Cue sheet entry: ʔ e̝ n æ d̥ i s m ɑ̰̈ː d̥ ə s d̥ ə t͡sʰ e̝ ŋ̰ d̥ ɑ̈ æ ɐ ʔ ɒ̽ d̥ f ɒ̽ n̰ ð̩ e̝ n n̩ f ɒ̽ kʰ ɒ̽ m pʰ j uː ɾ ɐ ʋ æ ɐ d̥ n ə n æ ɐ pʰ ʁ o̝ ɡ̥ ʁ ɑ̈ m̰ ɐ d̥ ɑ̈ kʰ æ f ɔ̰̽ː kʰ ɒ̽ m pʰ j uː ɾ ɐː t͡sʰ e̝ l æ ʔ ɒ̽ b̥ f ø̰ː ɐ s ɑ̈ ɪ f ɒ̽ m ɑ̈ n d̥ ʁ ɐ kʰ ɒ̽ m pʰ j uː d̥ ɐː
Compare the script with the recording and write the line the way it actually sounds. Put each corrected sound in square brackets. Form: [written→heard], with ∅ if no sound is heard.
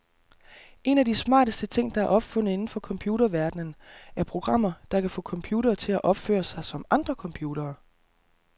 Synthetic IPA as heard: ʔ e̝ n æ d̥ i s m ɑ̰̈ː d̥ ə s d̥ ə t͡sʰ e̝ ŋ̰ d̥ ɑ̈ æ ɐ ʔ ɒ̽ [d̥→b̥] f [ɒ̽→ɔ̽] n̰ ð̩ e̝ n n̩ f ɒ̽ kʰ ɒ̽ m pʰ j uː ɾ ɐ ʋ æ ɐ d̥ n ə n æ ɐ pʰ ʁ o̝ ɡ̥ ʁ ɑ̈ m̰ ɐ d̥ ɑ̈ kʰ æ f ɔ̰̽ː kʰ ɒ̽ m pʰ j uː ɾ ɐː t͡sʰ e̝ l æ ʔ ɒ̽ b̥ f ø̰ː ɐ s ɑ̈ ɪ [f→s] ɒ̽ m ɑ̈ n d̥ ʁ ɐ kʰ ɒ̽ m pʰ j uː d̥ ɐː